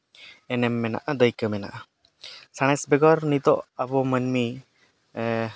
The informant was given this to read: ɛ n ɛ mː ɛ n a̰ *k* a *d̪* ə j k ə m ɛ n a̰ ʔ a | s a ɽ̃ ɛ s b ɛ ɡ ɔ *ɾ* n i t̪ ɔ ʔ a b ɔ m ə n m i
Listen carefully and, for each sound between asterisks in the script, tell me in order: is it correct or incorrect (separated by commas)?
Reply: incorrect, correct, correct